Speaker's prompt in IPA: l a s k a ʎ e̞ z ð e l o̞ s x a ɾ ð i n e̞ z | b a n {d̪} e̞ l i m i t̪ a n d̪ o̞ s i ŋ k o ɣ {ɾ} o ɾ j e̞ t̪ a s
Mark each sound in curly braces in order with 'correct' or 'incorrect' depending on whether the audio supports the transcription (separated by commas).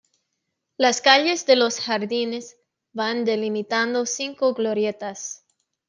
correct, incorrect